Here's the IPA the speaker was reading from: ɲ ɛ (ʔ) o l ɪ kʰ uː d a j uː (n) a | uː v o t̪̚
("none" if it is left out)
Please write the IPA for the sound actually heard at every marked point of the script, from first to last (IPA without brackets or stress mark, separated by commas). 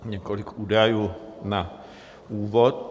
k, n